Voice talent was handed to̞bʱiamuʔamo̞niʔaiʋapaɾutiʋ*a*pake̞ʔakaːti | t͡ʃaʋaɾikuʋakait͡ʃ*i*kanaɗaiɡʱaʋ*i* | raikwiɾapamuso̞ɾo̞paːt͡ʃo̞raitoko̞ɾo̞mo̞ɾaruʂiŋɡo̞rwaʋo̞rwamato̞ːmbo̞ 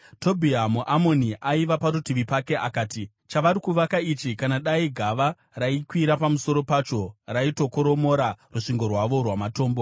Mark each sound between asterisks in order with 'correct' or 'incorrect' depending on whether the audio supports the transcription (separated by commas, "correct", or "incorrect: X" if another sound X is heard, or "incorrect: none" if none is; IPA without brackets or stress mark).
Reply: incorrect: i, correct, incorrect: a